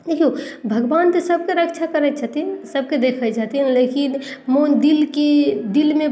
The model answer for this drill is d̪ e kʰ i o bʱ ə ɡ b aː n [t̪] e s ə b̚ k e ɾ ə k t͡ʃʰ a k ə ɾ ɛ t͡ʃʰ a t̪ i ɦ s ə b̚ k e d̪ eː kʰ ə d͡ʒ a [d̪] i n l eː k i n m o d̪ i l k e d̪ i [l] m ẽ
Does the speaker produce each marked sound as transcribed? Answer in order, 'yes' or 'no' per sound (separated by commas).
yes, no, yes